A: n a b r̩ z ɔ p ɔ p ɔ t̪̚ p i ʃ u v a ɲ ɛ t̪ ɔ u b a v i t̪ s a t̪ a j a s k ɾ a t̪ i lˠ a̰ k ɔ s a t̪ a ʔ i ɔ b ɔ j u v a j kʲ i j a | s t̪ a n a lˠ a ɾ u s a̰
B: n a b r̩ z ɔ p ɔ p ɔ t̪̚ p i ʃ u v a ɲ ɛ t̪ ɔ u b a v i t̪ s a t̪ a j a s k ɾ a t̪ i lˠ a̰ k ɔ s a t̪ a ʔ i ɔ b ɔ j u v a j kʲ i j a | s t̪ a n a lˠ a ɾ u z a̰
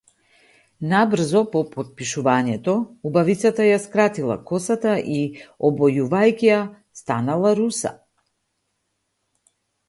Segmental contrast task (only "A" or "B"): A